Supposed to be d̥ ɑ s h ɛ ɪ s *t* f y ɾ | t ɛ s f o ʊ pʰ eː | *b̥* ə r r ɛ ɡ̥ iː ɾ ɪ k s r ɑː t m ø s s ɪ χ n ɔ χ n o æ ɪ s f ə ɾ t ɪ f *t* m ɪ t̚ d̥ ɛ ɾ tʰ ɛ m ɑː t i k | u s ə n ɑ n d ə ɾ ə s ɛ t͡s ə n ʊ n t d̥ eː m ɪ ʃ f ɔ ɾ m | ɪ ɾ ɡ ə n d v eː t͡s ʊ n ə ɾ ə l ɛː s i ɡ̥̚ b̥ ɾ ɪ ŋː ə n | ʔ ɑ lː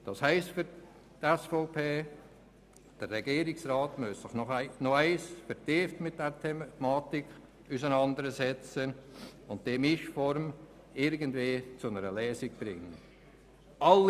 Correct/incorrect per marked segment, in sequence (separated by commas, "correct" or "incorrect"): correct, incorrect, correct